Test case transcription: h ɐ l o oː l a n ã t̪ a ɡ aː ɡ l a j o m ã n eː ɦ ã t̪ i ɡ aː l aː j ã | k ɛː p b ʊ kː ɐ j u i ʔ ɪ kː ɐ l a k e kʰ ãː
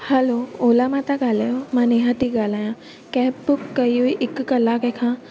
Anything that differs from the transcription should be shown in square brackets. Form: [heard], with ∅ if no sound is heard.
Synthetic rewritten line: h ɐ l o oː l a [m] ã t̪ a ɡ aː [∅] l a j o m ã n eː ɦ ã t̪ i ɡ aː l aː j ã | k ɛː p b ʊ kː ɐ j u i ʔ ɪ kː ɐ l a k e kʰ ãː